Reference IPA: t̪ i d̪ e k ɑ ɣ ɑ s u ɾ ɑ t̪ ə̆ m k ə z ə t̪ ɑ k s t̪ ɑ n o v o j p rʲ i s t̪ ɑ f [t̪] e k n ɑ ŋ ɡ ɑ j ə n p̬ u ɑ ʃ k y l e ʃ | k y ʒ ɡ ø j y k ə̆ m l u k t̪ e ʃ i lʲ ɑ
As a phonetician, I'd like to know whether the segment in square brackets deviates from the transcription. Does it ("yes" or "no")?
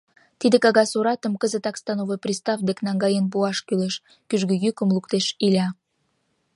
yes